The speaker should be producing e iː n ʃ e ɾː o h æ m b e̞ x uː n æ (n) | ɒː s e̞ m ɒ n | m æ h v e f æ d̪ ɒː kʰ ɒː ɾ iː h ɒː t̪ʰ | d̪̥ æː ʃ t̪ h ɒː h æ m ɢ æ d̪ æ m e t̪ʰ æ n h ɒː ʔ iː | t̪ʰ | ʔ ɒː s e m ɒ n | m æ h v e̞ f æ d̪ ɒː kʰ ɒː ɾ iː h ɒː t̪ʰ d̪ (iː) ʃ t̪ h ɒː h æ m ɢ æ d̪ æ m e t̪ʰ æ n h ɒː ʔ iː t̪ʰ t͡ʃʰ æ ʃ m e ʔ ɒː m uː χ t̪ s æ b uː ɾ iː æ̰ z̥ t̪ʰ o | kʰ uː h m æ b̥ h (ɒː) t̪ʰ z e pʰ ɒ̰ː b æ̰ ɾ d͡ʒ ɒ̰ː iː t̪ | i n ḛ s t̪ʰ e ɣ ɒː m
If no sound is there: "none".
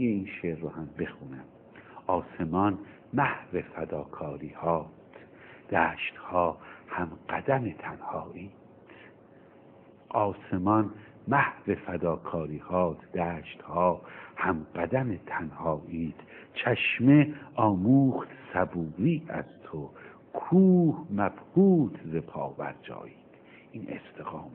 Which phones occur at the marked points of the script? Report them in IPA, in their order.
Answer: m, æː, uː

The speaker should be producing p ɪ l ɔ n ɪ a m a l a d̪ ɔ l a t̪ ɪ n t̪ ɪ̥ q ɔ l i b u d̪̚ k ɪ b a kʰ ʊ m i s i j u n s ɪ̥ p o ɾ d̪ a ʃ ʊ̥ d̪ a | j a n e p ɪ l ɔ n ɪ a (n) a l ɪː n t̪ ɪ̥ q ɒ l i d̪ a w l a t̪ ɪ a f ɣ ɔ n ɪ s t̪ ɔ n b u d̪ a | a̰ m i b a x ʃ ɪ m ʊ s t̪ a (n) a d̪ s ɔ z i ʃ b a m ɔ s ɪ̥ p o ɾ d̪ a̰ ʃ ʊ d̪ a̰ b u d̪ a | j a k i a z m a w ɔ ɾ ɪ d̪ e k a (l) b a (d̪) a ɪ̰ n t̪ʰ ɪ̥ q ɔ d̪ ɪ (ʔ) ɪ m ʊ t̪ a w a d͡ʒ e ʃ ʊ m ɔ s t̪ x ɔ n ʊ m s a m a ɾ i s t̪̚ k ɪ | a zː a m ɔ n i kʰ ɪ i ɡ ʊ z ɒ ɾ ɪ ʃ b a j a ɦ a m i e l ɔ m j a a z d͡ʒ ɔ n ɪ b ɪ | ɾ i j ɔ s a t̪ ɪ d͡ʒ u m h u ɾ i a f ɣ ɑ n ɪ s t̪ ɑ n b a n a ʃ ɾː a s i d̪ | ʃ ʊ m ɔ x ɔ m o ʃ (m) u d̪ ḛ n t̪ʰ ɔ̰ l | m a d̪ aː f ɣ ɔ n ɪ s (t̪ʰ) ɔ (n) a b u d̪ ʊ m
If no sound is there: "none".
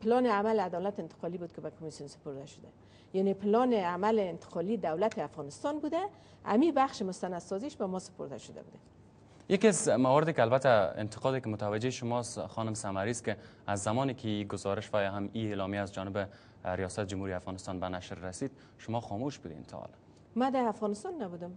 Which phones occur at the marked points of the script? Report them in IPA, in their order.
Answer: m, n, l, t̪, k, b, t̪, nː

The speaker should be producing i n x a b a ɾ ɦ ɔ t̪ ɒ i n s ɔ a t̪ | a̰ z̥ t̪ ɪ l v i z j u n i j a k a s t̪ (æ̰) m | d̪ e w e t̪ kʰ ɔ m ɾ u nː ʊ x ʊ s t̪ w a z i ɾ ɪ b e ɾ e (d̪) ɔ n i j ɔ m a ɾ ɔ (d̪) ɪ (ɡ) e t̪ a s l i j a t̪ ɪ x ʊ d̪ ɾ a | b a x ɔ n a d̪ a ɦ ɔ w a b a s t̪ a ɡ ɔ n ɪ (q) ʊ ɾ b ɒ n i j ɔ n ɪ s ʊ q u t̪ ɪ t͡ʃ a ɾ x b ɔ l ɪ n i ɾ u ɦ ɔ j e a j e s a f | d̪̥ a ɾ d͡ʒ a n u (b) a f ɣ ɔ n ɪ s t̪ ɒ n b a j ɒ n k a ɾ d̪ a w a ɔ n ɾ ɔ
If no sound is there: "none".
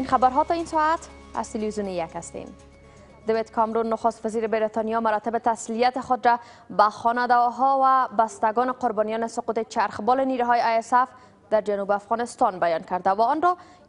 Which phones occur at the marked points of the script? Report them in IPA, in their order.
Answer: ḛ, t̪, t̪, b, q, b

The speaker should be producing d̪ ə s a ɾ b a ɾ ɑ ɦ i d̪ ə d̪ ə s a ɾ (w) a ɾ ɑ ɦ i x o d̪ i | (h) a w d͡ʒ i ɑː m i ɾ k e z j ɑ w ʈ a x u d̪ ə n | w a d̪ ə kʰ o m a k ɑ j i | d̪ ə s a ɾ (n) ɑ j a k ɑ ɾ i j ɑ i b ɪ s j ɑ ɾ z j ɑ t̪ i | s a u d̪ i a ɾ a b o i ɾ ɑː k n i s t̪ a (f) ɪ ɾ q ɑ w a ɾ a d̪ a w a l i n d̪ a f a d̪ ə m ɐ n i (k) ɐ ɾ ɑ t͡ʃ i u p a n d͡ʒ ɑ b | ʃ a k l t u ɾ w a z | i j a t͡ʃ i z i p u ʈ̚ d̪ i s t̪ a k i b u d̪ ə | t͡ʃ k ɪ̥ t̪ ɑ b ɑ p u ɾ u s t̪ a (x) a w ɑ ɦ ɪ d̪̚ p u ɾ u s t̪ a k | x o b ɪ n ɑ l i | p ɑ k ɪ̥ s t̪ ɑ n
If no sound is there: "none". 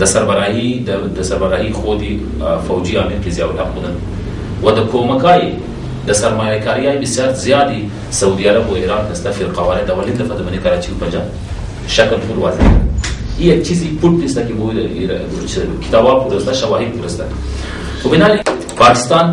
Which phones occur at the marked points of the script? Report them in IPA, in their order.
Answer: b, f, m, f, k, ʃ

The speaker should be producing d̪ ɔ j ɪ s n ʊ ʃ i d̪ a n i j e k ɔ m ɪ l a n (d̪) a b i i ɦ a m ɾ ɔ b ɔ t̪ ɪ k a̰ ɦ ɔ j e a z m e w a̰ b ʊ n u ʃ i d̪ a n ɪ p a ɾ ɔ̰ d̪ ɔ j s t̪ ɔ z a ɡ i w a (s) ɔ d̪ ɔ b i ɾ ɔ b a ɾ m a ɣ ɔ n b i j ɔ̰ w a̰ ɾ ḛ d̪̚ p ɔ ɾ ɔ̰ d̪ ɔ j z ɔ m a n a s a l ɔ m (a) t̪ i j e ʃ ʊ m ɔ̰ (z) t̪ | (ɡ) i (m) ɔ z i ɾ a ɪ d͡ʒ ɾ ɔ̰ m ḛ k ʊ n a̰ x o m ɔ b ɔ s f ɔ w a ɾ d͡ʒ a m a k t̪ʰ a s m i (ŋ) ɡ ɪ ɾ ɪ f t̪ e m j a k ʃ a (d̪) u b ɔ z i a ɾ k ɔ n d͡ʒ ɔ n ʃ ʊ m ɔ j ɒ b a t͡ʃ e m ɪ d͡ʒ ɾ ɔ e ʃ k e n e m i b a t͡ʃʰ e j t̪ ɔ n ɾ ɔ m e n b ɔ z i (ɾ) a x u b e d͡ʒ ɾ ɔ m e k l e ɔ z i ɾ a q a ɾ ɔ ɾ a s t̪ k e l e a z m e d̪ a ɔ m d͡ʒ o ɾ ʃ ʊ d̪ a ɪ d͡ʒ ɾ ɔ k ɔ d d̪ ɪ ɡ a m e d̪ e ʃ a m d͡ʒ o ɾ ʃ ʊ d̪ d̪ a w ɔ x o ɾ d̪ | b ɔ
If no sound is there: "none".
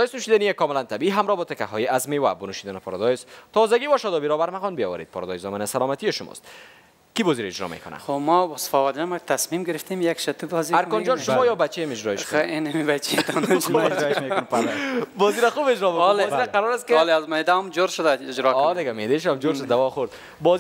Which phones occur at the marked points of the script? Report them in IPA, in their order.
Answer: t̪, ʃ, a, s, k, b, m, t̪, ɾ

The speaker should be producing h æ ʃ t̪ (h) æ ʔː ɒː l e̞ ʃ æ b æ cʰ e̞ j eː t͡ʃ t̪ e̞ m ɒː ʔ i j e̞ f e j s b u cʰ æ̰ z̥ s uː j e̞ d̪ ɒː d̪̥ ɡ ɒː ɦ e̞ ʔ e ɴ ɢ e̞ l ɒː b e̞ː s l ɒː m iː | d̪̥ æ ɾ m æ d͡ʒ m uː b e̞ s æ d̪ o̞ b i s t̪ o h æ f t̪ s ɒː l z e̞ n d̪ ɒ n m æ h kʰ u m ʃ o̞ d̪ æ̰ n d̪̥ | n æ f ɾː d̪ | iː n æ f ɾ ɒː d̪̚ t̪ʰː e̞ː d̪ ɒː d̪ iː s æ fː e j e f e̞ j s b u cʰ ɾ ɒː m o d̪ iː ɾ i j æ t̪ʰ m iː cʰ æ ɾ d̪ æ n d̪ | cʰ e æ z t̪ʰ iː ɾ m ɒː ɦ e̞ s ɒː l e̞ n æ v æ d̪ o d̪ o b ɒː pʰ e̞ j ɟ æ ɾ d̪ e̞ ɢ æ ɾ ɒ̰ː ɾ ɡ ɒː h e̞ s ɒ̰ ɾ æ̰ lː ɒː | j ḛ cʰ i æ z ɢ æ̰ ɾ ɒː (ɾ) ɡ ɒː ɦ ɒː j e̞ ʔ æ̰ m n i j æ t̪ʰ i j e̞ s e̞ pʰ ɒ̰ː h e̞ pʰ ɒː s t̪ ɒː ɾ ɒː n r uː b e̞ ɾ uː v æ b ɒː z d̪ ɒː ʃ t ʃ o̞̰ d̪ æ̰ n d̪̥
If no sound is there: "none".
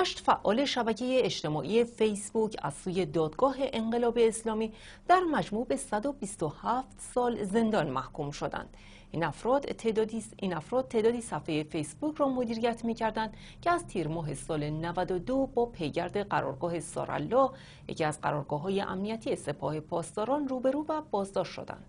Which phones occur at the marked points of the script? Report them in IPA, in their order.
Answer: f, ɾ

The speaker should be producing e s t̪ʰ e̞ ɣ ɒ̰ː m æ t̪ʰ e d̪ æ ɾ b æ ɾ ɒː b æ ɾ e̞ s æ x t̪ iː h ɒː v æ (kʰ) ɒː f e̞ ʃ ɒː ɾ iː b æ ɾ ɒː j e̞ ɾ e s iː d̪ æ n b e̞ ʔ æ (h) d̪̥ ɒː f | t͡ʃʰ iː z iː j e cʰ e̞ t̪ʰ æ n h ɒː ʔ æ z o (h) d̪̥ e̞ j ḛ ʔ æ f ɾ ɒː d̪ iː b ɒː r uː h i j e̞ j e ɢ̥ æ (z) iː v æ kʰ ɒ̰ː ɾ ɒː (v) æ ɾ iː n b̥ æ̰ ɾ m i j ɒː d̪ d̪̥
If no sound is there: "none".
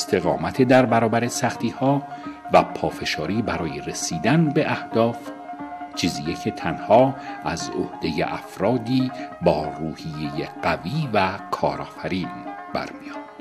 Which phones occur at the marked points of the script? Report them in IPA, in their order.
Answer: pʰ, h, h, v, f

